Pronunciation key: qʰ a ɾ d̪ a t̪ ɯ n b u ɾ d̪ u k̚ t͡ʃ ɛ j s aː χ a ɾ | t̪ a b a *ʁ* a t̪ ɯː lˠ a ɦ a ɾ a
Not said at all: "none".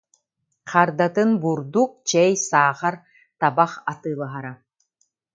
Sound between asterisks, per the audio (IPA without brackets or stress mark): χ